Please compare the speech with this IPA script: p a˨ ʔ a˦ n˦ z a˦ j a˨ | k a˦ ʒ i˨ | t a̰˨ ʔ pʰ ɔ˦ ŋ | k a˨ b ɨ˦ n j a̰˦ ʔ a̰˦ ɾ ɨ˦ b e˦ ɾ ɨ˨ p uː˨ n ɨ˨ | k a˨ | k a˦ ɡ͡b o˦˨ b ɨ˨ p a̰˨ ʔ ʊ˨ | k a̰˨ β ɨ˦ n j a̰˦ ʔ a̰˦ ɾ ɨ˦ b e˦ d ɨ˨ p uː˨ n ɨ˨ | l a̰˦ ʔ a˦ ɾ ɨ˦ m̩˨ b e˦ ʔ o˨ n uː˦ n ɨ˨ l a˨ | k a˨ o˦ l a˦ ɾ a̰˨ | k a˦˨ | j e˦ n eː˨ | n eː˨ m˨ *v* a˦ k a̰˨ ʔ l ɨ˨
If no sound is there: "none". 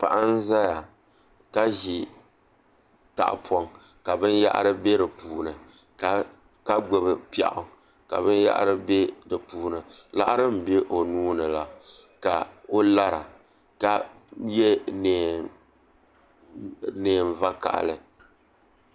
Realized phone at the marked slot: v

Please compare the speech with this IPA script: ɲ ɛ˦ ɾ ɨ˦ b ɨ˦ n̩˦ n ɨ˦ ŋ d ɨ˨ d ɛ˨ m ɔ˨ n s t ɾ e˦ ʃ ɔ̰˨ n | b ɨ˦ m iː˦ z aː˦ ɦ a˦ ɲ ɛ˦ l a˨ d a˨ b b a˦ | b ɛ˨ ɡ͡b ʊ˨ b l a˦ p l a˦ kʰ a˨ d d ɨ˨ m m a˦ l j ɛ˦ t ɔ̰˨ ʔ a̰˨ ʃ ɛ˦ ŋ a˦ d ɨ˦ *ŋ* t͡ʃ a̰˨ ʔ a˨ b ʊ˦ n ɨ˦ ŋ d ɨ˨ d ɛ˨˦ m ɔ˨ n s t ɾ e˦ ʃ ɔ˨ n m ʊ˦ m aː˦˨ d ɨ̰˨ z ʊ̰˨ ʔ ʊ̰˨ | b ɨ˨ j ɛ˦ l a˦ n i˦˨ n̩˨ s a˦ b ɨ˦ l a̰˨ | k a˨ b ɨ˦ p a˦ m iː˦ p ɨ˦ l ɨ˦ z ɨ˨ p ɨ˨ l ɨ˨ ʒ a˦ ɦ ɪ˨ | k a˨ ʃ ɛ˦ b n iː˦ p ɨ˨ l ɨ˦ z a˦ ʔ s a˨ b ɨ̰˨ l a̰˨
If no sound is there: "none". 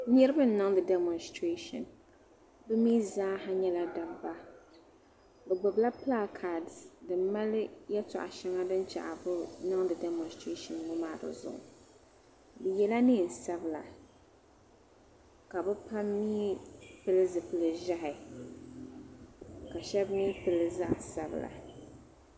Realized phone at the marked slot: n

